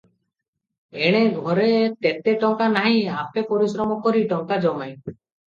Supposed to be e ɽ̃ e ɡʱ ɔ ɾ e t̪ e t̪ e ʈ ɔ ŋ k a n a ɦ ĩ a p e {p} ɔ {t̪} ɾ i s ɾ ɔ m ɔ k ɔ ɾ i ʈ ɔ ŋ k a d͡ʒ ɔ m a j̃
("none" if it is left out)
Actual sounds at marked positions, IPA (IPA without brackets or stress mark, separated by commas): p, none